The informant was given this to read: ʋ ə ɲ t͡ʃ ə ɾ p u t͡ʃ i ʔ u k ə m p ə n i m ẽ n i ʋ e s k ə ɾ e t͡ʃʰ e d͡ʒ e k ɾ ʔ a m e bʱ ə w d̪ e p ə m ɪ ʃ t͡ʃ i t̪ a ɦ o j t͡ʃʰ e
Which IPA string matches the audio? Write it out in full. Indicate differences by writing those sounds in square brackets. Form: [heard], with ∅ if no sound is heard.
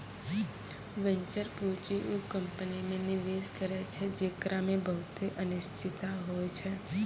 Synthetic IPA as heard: ʋ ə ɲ t͡ʃ ə ɾ p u t͡ʃ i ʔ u k ə m p ə n i m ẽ n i ʋ e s k ə ɾ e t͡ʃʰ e d͡ʒ e k ɾ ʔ a m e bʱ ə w [t̪] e [ʔ] ə [n] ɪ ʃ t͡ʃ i t̪ a ɦ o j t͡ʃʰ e